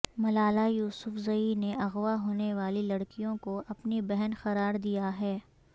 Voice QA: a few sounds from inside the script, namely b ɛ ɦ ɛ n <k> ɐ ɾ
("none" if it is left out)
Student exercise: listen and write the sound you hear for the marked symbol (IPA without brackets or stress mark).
x